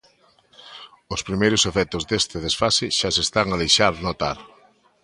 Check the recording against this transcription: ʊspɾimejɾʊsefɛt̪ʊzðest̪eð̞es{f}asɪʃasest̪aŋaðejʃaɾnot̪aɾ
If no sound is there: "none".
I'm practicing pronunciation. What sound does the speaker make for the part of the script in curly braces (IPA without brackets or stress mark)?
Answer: f